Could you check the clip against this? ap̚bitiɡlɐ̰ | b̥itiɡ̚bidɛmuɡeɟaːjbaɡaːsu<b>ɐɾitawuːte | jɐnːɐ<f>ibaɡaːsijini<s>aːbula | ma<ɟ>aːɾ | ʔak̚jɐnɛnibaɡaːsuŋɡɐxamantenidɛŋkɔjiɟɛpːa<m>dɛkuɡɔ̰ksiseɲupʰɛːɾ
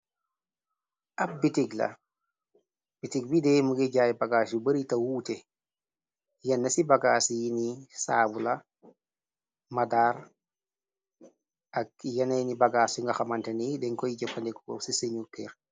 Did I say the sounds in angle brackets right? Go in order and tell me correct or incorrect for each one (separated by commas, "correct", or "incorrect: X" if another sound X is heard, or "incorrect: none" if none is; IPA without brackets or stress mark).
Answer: correct, incorrect: s, correct, incorrect: d, incorrect: n